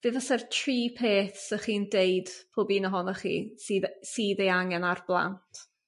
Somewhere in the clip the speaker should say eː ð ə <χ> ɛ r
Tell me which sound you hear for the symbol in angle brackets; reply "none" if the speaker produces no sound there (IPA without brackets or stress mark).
s